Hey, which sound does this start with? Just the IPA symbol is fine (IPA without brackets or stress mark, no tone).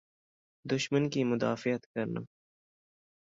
d̪